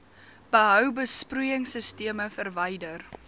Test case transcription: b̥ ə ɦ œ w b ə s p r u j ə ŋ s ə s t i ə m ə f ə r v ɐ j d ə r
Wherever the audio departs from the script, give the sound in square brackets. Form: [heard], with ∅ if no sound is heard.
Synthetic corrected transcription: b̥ ə ɦ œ w b ə s p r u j ə ŋ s ə s t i ə m ə f ə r v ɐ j d ə r